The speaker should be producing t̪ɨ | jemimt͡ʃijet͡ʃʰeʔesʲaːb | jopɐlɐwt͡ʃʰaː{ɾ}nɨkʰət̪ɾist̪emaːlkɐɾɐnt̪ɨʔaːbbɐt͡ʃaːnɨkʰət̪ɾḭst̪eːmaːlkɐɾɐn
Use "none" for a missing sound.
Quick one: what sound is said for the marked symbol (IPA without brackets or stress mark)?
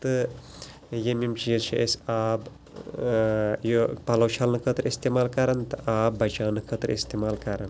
l